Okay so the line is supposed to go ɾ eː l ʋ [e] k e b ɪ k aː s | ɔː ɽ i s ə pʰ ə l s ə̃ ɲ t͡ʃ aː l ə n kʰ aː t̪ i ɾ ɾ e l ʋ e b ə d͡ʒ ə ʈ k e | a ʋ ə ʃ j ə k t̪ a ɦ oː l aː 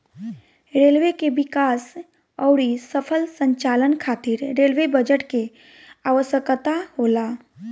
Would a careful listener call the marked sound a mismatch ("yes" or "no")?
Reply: no